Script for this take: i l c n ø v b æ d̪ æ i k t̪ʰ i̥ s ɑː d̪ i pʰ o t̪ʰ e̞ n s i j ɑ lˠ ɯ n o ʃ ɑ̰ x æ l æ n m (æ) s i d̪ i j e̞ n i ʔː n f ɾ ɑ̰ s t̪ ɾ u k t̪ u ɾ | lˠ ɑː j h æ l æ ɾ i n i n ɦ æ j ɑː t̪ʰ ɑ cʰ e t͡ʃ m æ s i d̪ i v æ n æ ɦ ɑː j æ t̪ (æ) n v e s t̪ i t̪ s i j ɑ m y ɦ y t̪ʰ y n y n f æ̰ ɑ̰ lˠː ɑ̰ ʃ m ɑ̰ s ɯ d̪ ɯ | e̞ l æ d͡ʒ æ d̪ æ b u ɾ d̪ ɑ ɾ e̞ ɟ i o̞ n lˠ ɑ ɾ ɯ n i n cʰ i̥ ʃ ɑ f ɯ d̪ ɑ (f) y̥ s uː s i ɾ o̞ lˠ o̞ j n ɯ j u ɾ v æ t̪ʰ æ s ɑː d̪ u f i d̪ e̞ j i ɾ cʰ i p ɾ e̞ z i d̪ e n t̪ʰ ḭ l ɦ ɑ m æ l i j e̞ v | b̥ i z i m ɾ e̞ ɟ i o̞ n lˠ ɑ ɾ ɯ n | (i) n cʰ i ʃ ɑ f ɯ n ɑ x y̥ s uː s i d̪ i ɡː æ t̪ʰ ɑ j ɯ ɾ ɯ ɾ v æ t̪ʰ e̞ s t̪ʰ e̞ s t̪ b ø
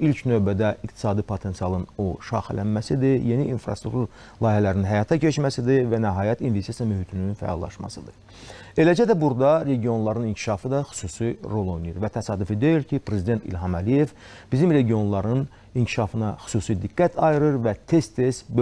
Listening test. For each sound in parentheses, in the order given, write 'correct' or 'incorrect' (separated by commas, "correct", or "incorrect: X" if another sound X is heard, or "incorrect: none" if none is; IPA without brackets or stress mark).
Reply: correct, incorrect: i, incorrect: x, correct